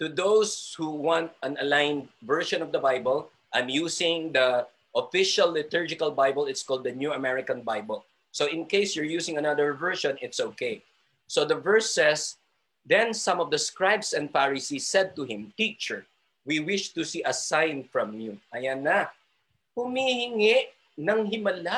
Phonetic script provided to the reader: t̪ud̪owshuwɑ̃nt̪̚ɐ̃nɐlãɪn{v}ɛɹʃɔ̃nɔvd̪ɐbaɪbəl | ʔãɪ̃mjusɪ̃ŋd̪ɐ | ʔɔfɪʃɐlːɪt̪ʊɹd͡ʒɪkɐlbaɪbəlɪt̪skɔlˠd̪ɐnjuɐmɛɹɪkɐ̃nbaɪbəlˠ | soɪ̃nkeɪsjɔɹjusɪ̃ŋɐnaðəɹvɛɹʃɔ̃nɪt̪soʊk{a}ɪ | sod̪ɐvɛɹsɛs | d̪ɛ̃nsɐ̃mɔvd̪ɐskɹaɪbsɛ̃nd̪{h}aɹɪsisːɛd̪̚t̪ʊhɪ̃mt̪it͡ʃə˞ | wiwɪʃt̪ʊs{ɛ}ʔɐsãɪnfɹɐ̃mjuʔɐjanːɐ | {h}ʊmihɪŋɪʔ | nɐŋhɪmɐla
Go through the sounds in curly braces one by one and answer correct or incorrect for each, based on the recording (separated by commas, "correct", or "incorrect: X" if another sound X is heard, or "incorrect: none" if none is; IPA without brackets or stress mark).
correct, incorrect: e, incorrect: f, incorrect: i, correct